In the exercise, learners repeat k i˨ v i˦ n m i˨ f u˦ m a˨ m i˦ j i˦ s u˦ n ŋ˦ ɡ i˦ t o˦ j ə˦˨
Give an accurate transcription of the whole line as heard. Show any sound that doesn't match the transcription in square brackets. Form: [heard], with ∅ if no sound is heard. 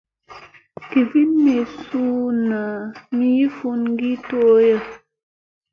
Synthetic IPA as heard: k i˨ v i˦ n m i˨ [s] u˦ [n] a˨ m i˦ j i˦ [f] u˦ n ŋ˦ ɡ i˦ t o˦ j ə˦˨

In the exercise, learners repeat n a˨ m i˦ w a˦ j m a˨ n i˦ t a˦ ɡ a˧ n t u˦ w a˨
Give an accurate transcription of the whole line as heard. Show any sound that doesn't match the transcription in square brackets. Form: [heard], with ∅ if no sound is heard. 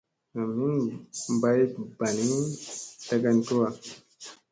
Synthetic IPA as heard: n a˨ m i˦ [b] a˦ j [b] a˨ n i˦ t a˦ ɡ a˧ n t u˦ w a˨

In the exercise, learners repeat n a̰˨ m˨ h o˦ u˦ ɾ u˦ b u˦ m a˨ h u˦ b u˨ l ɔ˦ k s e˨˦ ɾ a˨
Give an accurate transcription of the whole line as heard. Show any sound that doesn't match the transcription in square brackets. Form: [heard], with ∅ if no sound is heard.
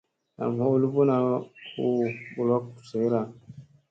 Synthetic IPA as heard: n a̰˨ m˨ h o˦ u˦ [l] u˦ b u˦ [n] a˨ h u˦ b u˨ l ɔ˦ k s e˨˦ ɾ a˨

